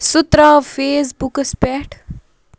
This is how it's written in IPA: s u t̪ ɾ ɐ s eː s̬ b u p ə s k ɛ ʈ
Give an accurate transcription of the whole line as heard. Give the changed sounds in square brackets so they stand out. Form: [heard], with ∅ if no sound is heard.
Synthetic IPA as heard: s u t̪ ɾ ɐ [f] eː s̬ b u [k] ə s [p] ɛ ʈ